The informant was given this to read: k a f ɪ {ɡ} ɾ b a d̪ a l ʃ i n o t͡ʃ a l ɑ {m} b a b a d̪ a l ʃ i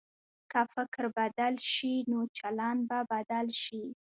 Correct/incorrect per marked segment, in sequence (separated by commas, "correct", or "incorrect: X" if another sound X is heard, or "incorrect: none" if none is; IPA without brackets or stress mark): incorrect: k, incorrect: n